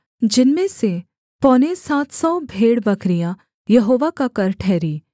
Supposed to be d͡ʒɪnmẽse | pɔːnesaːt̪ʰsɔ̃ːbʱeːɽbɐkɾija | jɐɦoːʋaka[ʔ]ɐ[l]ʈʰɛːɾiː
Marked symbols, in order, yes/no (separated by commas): no, no